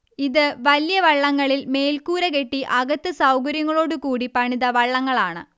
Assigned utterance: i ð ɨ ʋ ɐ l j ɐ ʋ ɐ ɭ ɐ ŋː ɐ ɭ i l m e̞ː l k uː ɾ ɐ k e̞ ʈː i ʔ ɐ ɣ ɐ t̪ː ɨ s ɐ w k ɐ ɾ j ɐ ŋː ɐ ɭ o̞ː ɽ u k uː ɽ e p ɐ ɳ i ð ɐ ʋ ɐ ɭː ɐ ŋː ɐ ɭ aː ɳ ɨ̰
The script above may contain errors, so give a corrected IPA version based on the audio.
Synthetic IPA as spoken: i ð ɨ ʋ ɐ l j ɐ ʋ ɐ ɭː ɐ ŋː ɐ ɭ i l m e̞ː l k uː ɾ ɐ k e̞ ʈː i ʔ ɐ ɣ ɐ t̪ː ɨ s ɐ w k ɐ ɾ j ɐ ŋː ɐ ɭ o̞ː ɽ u k uː ɽ i p ɐ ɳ i ð ɐ ʋ ɐ ɭː ɐ ŋː ɐ ɭ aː ɳ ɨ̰